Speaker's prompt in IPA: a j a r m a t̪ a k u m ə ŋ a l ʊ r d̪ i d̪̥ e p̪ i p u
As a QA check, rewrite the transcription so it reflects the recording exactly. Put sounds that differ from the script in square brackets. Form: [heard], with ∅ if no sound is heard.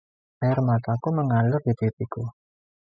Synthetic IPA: a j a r m a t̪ a k u m ə ŋ a l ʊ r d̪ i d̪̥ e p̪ i [k] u

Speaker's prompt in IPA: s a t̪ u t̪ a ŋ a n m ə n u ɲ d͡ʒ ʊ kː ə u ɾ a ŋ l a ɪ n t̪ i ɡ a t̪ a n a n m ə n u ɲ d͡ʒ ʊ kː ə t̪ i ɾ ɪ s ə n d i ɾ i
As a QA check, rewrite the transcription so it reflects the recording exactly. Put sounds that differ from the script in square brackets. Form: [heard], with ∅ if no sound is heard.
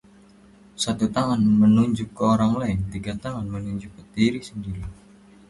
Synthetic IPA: s a t̪ u t̪ a ŋ a n m ə n u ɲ d͡ʒ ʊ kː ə [o] ɾ a ŋ l a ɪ n t̪ i ɡ a t̪ a [ŋ] a n m ə n u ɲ d͡ʒ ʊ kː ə t̪ i ɾ [i] s ə n d i ɾ i

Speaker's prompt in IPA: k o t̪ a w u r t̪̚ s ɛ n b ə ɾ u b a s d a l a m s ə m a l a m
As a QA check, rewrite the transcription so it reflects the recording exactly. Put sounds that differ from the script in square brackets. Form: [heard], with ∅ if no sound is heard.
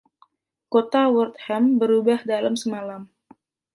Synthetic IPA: k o t̪ a w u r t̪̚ [h] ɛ [m] b ə ɾ u b a [h] d a l a m s ə m a l a m

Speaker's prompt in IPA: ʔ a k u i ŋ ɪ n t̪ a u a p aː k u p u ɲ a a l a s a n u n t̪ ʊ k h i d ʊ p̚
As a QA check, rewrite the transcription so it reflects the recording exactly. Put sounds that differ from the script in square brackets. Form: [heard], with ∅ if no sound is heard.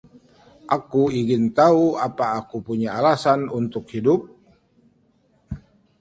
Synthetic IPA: ʔ a k u i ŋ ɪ n t̪ a u a p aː k u p u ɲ a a l a s a n u n t̪ ʊ k h i d ʊ p̚

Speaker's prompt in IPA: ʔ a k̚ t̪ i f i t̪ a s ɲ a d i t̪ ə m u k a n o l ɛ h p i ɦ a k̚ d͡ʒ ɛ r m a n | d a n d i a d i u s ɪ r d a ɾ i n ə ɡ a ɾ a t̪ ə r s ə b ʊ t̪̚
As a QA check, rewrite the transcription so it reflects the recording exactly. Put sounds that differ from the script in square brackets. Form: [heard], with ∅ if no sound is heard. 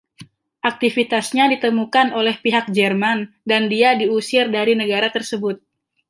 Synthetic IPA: ʔ a k̚ t̪ i f i t̪ a s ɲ a d i t̪ ə m u k a n o l ɛ h p i ɦ a k̚ d͡ʒ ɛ r m a n | d a n d i a d i u s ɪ r d a ɾ i n ə ɡ a ɾ a t̪ ə r s ə b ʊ t̪̚

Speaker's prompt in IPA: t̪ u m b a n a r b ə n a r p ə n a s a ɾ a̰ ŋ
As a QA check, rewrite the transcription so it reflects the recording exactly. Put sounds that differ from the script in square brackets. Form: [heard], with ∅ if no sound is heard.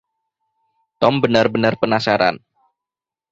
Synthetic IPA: t̪ [ɔ] m b [ə] n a r b ə n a r p ə n a s a ɾ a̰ [n]

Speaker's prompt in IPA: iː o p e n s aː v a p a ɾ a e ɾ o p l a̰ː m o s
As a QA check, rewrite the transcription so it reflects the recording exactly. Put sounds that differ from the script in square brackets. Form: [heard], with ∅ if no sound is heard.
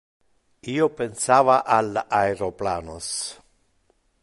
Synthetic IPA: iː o p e n s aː v a [ʔ] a [l] a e ɾ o p l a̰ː [n] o s

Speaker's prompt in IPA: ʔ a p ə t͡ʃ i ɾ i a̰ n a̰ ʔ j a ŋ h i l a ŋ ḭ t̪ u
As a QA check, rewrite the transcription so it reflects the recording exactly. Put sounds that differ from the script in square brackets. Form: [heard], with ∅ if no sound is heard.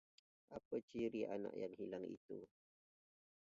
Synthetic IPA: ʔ a p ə t͡ʃ i ɾ i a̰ n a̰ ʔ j a ŋ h i l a ŋ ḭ t̪ u

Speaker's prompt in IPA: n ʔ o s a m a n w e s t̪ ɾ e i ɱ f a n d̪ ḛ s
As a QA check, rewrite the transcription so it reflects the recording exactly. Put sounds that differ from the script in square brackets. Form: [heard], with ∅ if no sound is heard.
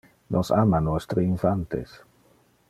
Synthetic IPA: n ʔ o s a m a n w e s t̪ ɾ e i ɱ f a n [t̪] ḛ s

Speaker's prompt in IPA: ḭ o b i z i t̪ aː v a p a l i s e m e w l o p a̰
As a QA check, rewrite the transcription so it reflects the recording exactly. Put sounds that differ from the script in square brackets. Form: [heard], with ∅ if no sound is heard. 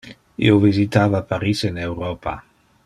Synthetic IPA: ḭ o [v] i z i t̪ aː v a p a [ɾ] i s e [n] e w [ɾ] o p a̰

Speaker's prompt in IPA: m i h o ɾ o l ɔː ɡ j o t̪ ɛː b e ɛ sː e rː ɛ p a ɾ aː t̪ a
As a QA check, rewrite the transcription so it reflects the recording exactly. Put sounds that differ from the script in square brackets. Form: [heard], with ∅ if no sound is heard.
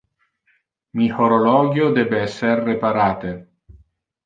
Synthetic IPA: m i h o ɾ o l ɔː ɡ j o [d̪] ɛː b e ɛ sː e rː [e] p a ɾ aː t̪ [e]

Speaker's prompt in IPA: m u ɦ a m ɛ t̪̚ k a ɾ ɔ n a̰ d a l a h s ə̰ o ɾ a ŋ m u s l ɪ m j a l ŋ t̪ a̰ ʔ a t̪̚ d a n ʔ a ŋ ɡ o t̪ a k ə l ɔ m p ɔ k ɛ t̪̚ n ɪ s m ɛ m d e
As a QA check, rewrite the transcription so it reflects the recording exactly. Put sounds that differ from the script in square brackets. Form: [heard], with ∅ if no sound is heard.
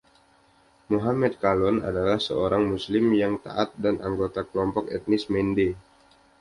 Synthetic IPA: m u ɦ a m ɛ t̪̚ k a [l] ɔ n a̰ d a l a h s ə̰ o ɾ a ŋ m u s l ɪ m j a [∅] ŋ t̪ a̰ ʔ a t̪̚ d a n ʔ a ŋ ɡ o t̪ a k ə l ɔ m p ɔ k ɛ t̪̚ n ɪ s m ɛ [n] d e

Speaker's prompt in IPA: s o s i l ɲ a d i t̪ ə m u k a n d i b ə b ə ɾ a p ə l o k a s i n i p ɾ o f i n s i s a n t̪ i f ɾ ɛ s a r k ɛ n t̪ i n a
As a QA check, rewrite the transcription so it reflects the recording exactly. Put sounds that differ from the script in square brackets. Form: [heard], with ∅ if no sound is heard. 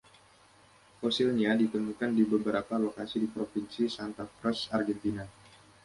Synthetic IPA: [f] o s i l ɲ a d i t̪ ə m u k a n d i b ə b ə ɾ a p [a] l o k a s i [d] i p ɾ o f i n s i s a n t̪ [a] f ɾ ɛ s a r [ɡ] ɛ n t̪ i n a

